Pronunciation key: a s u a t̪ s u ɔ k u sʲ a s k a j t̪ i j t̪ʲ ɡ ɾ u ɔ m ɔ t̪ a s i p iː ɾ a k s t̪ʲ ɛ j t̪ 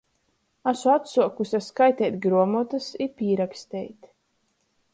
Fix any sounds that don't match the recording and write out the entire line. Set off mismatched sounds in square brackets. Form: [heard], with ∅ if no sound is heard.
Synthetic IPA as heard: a s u a t̪ s u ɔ k u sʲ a s k a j t̪ [ɛ] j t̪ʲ ɡ ɾ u ɔ m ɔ t̪ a s i p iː ɾ a k s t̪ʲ ɛ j t̪